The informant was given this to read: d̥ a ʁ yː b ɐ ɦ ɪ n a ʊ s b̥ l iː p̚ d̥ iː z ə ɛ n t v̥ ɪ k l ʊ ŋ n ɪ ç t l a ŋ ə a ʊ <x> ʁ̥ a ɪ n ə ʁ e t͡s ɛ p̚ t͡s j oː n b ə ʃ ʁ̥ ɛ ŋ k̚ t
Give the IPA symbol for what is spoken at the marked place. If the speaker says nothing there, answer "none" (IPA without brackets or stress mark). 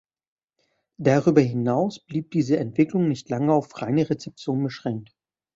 f